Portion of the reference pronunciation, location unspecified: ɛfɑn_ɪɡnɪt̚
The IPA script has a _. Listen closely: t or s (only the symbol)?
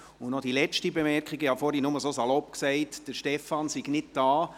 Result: s